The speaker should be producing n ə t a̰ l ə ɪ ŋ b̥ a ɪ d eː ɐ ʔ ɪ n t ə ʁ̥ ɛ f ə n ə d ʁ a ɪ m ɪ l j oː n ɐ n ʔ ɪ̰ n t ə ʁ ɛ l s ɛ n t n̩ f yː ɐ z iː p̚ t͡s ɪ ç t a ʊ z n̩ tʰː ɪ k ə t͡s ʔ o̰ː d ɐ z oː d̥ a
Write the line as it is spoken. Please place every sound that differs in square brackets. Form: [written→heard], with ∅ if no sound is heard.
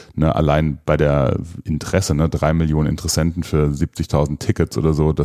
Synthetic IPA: n ə [t→ʔ] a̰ l [ə→a] ɪ [ŋ→n] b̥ a ɪ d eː ɐ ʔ ɪ n t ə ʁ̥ ɛ [f→s] ə n ə d ʁ a ɪ m ɪ l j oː n [ɐ→ə] n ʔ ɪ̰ n t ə ʁ ɛ [l→∅] s ɛ n t n̩ f yː ɐ z iː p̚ t͡s ɪ ç [t→tʰ] a ʊ z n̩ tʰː ɪ k ə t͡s ʔ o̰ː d ɐ z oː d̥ a